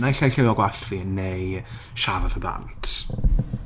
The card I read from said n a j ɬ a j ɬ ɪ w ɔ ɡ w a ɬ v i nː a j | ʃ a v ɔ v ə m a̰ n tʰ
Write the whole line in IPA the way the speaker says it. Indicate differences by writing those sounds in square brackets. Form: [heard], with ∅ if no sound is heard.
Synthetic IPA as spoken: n a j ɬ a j ɬ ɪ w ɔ ɡ w a ɬ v i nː [e] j | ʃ a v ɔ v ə [b] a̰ n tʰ